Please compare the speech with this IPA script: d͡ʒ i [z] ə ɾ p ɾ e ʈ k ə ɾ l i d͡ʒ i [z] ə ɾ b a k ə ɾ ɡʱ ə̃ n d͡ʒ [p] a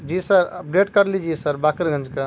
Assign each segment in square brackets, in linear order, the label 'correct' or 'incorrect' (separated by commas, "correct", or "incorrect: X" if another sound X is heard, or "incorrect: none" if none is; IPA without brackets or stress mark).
incorrect: s, incorrect: s, incorrect: k